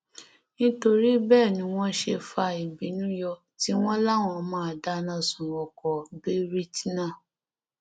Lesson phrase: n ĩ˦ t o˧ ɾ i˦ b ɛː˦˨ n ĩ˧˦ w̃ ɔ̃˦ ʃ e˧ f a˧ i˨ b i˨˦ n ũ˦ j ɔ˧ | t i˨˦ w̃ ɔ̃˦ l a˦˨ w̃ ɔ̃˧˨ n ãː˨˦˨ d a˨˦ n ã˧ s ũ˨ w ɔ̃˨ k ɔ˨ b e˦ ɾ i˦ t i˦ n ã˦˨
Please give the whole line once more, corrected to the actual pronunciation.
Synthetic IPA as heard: n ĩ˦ t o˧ ɾ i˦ b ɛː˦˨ n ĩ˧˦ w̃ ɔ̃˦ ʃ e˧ f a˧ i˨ b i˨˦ n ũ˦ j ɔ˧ | t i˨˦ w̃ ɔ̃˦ l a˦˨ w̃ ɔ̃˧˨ m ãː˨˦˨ d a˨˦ n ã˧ s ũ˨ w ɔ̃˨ k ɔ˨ b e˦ ɾ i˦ t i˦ n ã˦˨